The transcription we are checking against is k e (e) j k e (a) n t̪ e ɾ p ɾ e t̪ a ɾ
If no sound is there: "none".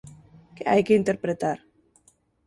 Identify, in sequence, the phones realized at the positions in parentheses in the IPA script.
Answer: a, i

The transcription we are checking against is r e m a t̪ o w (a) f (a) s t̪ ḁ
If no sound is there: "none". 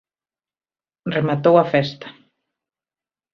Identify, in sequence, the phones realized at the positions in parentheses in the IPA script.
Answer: a, ɛ

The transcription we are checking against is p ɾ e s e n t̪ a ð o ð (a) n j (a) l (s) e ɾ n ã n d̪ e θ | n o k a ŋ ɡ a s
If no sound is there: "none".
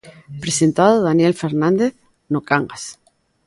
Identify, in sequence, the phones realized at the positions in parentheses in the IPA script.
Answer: a, e, f

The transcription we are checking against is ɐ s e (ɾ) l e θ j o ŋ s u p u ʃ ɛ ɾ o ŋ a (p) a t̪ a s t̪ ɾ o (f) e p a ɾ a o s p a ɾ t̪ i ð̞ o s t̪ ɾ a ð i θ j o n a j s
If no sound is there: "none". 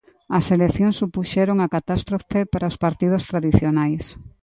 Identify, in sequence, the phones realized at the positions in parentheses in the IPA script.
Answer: none, k, f

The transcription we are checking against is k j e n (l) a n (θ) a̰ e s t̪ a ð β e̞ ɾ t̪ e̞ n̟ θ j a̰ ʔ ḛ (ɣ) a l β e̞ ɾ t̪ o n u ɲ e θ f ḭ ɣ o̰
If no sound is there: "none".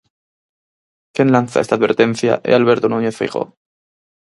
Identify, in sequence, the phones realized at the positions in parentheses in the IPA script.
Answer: l, θ, none

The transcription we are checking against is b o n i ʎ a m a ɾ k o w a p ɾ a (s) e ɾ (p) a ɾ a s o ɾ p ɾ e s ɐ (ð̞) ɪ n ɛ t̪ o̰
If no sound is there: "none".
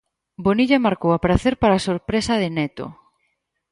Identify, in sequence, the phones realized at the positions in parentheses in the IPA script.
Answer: θ, p, ð̞

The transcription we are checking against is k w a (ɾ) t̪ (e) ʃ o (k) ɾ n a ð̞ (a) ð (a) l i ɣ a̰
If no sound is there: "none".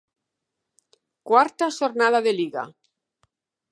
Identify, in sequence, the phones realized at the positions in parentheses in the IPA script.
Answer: ɾ, a, none, a, e

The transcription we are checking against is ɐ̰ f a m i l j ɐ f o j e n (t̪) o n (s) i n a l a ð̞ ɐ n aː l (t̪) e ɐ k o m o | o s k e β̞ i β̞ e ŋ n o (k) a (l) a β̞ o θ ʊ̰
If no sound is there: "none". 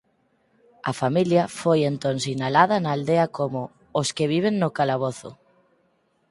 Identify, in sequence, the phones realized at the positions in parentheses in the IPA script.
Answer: t̪, s, d̪, k, l

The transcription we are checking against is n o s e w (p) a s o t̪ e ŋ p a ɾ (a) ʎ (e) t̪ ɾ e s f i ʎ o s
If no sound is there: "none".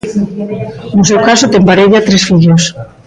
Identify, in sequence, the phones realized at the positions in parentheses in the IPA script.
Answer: k, e, a

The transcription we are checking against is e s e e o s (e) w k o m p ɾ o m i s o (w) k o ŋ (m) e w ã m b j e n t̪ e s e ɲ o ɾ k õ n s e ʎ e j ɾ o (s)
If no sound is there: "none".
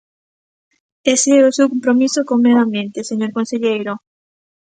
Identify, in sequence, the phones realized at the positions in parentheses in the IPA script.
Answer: e, none, m, none

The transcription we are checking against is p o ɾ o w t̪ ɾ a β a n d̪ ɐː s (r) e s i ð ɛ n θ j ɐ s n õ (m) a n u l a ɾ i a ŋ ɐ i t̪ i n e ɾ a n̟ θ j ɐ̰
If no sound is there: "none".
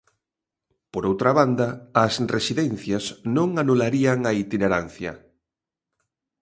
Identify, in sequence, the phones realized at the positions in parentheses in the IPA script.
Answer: r, ŋ

